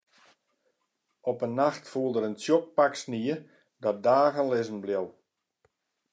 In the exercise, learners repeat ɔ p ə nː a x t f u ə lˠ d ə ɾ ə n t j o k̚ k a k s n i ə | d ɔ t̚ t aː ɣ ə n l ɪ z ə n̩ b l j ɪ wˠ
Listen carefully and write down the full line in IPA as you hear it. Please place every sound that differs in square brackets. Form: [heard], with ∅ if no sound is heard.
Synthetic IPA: ɔ p ə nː a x t f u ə lˠ d ə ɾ ə n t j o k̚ [p] a k s n i ə | d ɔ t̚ [d] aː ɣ ə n l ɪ z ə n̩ b l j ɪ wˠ